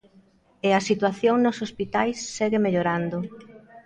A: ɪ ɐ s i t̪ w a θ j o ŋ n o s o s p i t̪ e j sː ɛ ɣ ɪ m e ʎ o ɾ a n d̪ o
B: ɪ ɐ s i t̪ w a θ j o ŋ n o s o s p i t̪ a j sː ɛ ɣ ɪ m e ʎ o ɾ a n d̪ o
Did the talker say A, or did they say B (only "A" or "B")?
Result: B